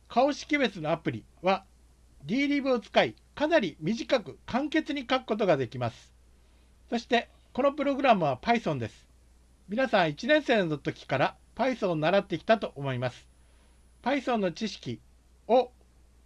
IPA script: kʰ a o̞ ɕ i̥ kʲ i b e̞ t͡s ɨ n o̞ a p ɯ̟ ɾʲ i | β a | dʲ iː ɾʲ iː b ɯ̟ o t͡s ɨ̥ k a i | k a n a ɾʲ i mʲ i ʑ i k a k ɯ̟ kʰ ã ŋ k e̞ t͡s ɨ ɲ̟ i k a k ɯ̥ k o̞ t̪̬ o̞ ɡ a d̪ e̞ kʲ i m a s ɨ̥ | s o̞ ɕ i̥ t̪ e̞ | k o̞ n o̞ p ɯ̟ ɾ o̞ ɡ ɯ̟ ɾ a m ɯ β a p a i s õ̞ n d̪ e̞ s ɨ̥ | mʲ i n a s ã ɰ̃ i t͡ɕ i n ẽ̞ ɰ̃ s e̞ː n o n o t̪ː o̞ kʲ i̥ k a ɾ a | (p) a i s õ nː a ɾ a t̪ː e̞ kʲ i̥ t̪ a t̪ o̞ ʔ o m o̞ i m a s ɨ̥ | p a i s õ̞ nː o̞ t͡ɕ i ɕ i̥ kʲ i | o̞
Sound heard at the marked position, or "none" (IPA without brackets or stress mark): p